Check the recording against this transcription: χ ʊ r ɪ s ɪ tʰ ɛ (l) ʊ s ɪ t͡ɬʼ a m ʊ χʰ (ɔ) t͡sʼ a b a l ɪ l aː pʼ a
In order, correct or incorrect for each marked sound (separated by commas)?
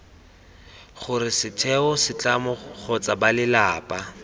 incorrect, correct